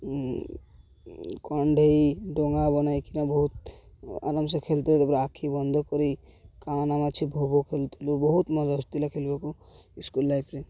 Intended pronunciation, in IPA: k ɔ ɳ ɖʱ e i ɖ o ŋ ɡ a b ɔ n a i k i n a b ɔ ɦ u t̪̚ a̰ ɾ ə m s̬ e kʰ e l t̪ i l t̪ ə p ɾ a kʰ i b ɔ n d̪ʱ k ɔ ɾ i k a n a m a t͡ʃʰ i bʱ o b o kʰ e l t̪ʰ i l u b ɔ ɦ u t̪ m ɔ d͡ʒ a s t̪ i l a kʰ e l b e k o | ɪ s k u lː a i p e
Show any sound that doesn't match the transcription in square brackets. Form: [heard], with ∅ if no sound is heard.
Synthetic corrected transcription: k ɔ ɳ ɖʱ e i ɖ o ŋ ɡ a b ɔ n a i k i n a b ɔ ɦ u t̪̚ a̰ ɾ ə m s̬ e kʰ e l t̪ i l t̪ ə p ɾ a kʰ i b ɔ n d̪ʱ k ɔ ɾ i k a n a m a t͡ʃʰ i bʱ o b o kʰ e l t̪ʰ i l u b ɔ ɦ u t̪ m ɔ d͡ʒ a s t̪ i l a kʰ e l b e k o | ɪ s k u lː a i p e